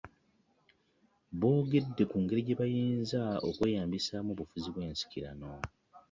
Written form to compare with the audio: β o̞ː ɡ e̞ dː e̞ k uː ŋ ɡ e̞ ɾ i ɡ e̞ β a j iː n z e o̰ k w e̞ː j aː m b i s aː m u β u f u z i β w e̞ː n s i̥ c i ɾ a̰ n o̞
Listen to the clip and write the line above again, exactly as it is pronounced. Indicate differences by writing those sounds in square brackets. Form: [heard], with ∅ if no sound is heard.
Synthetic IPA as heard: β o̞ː ɡ e̞ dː e̞ k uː ŋ ɡ e̞ ɾ i [ɟ] e̞ β a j iː n z [a] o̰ k w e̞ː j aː m b i s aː m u β u f u z i β w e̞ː n s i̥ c i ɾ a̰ n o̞